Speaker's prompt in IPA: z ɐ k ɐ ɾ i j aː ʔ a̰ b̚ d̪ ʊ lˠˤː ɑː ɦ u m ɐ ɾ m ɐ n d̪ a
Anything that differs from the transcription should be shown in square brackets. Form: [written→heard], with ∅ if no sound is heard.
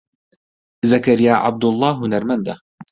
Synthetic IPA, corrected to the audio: z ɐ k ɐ ɾ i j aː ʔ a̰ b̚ d̪ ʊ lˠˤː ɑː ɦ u [m→n] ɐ ɾ m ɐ n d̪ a